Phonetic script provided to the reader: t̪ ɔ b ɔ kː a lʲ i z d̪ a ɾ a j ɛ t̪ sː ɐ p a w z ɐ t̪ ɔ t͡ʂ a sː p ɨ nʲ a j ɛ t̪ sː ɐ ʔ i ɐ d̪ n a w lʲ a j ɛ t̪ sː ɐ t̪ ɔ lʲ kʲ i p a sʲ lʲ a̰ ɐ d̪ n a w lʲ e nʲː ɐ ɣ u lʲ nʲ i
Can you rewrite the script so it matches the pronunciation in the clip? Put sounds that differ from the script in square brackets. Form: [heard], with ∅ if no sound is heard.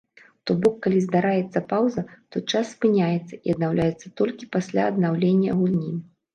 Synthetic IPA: t̪ ɔ b ɔ kː a lʲ i z d̪ a ɾ a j ɛ t̪ sː ɐ p a w z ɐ t̪ ɔ t͡ʂ a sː p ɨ nʲ a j ɛ t̪ sː ɐ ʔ i ɐ d̪ n a w lʲ a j ɛ t̪ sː ɐ t̪ ɔ lʲ kʲ i p a sʲ lʲ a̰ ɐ d̪ n a w lʲ e nʲː ɐ ɣ u lʲ nʲ i